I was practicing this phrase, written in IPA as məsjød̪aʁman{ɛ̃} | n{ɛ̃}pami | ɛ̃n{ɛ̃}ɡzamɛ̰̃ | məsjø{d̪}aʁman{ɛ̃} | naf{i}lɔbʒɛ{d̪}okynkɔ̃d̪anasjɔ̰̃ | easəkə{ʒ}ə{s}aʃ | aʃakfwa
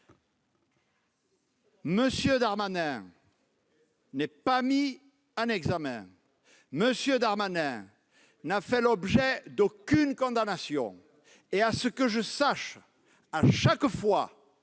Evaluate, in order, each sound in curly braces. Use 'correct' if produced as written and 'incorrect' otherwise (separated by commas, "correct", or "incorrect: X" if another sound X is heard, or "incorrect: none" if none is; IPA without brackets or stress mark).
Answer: correct, incorrect: ɛ, incorrect: ɛ, correct, correct, incorrect: ɛ, correct, correct, correct